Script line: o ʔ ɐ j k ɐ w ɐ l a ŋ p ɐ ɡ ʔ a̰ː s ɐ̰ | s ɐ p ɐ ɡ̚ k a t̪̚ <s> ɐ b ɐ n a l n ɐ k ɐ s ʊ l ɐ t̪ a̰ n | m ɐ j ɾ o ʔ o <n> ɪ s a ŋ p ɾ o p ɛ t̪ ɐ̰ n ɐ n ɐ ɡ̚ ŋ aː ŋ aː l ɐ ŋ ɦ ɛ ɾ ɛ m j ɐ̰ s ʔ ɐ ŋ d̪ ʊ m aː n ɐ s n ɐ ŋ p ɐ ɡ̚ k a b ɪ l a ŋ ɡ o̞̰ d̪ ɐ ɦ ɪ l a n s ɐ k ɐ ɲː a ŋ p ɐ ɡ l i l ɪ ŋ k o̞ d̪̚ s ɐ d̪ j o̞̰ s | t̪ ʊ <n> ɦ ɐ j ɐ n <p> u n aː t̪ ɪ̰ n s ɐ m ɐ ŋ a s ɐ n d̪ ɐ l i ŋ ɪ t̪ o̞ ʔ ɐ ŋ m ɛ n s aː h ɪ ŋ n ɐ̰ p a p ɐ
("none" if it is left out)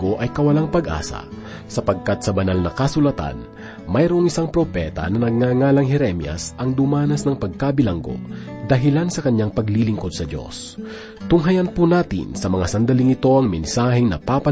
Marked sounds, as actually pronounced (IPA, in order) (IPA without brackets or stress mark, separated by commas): s, ŋ, ŋ, p